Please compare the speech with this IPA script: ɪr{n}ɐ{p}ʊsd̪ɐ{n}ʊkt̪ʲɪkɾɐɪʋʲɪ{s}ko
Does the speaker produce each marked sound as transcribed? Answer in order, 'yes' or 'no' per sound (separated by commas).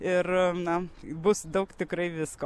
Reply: yes, no, no, yes